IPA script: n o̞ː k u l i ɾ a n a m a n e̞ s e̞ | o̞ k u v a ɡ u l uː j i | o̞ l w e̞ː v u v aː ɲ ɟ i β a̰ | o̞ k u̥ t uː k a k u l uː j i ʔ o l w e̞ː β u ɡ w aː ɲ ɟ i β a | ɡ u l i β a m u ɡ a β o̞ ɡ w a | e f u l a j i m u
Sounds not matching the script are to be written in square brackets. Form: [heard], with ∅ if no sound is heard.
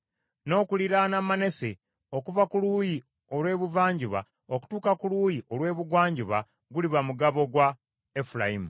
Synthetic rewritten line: n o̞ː k u l i ɾ a n a m a n e̞ s e̞ | o̞ k u v a [k] u l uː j i | o̞ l w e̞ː [β] u v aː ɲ ɟ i β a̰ | o̞ k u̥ t uː k a k u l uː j i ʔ o l w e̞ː β u ɡ w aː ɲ ɟ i β a | ɡ u l i β a m u ɡ a β o̞ ɡ w a | e f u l a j i m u